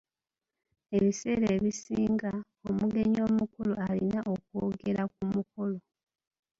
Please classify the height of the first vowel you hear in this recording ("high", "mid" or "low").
mid